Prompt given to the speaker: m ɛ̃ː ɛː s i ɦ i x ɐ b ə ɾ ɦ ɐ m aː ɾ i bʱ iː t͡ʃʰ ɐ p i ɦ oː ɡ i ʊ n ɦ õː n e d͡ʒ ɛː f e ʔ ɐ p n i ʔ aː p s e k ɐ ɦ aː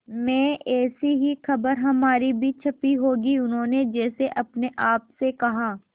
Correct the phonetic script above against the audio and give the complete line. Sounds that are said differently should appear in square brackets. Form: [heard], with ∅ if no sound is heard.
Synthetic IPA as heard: m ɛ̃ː ɛː s i ɦ i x ɐ b ə ɾ ɦ ɐ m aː ɾ i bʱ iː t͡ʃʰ ɐ p i ɦ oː ɡ i ʊ n ɦ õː n e d͡ʒ ɛː [s] e ʔ ɐ p n [e] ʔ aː p s e k ɐ ɦ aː